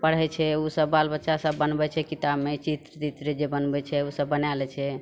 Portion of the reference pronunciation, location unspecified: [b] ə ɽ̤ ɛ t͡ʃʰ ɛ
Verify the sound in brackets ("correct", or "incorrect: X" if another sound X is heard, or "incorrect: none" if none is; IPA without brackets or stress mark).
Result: incorrect: p